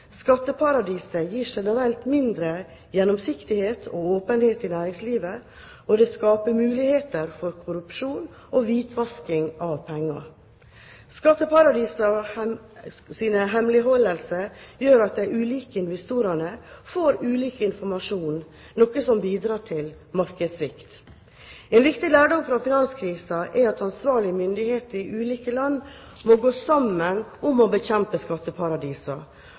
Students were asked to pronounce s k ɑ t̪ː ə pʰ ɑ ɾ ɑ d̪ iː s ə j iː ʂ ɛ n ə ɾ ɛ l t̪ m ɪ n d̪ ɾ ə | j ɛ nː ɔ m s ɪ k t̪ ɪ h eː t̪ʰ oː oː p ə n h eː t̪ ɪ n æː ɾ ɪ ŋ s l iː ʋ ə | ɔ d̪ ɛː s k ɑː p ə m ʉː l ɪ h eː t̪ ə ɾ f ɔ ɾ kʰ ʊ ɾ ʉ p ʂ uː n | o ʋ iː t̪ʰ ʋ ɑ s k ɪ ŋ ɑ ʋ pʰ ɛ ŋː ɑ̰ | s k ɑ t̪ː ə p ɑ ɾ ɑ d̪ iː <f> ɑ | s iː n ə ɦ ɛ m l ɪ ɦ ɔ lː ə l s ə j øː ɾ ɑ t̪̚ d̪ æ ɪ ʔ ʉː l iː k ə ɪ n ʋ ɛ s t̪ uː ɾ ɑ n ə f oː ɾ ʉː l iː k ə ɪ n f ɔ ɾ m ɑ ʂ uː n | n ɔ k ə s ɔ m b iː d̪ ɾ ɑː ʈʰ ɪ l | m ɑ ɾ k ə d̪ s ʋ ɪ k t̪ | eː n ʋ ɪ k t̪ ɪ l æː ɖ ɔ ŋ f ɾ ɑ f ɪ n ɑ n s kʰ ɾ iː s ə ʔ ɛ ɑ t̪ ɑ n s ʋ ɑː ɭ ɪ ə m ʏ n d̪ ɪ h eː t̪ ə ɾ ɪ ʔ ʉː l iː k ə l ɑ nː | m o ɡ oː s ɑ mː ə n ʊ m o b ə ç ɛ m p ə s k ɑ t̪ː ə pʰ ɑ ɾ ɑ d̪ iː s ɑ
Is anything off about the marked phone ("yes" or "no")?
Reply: yes